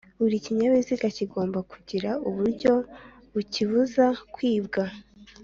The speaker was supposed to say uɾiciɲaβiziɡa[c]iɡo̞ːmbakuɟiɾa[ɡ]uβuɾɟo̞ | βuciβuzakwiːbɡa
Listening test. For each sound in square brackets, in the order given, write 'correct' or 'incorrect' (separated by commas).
correct, incorrect